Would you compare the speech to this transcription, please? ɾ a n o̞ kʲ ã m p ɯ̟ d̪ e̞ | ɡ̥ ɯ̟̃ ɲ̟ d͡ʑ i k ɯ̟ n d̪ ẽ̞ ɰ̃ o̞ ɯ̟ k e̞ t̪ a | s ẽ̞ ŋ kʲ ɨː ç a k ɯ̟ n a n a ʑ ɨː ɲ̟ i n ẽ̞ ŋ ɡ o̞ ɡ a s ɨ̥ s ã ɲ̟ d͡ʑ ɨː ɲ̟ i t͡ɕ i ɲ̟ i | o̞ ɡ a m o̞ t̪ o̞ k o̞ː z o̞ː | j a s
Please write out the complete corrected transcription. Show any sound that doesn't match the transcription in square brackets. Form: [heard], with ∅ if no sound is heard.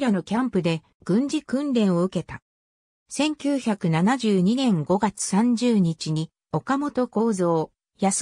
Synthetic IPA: ɾ a n o̞ kʲ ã m p ɯ̟ d̪ e̞ | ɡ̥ ɯ̟̃ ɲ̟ d͡ʑ i k [ɯ̟̃] n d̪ ẽ̞ ɰ̃ o̞ ɯ̟ k e̞ t̪ a | s ẽ̞ ŋ kʲ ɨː ç a k ɯ̟ n a n a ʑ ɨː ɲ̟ i n ẽ̞ ŋ ɡ o̞ ɡ a [t͡s] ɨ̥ s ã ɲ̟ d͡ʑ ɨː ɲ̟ i t͡ɕ i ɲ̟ i | o̞ [k] a m o̞ t̪ o̞ k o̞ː z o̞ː | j a s